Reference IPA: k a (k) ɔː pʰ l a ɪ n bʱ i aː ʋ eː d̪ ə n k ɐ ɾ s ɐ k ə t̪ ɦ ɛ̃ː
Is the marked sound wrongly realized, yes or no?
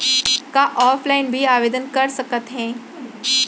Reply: yes